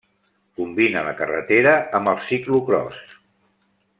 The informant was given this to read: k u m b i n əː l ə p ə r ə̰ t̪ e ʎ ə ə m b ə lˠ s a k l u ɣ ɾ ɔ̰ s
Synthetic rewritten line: k u m b i n ə l ə k ə r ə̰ t̪ e ɾ ə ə m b ə lˠ s i k l u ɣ ɾ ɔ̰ s